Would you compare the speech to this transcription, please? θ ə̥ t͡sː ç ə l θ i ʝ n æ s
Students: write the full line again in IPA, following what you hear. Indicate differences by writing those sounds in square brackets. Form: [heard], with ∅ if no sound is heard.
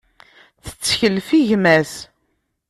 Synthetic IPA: θ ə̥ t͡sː ç ə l [f] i ʝ [m] æ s

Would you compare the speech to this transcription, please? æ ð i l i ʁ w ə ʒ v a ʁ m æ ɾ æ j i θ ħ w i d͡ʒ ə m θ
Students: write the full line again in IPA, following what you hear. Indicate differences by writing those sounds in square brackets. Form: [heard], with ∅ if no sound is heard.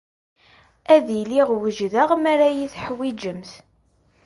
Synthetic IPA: æ ð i l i ʁ w ə ʒ [ð] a ʁ m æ ɾ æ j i θ ħ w i d͡ʒ ə m θ

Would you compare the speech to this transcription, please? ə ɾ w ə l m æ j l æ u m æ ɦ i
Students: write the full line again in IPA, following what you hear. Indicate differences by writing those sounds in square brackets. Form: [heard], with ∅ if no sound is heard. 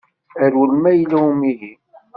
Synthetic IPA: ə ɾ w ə l m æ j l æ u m [i] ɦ i

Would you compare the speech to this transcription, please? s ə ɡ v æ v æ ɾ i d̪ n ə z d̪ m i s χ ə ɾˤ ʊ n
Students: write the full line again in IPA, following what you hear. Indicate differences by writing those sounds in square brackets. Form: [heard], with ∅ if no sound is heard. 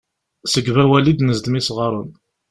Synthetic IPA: s ə ɡ v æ [w] æ [l] i d̪ n ə z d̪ m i s [ʁ] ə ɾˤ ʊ n

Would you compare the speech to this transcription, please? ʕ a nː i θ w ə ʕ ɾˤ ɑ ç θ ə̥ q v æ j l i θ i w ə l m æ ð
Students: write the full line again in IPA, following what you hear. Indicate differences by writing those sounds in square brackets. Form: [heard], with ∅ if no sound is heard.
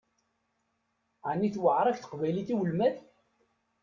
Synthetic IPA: ʕ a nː i θ w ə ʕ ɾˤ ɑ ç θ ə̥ q v æ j l i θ i w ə l m æ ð

